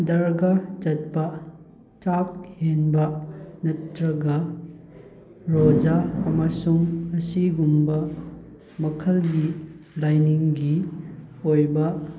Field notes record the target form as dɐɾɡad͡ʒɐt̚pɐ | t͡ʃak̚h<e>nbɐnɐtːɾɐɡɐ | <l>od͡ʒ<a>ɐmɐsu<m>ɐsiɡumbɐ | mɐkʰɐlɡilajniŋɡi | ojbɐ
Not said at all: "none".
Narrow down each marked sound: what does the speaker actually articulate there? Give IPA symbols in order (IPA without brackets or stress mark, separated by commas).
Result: e, ɾ, a, ŋ